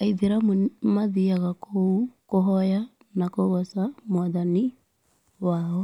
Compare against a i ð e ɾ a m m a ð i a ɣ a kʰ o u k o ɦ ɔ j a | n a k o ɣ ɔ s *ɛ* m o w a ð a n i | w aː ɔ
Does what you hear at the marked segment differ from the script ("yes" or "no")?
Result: yes